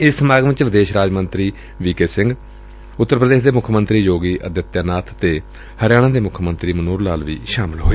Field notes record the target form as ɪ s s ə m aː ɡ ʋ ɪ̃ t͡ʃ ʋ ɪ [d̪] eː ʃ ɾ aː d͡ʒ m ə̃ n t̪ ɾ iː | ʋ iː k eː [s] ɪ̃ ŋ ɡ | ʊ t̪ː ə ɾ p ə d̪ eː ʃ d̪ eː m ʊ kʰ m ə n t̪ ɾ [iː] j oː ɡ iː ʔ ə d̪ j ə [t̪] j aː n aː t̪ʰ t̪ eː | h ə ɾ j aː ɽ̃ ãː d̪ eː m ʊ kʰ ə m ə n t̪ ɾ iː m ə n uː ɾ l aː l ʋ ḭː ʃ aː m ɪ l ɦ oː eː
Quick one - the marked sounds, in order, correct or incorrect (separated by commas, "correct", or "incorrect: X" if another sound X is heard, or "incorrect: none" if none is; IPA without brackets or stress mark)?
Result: correct, correct, correct, correct